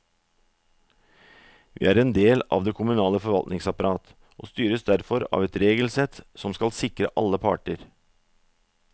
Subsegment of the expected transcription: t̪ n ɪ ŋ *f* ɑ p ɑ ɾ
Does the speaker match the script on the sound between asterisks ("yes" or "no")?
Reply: no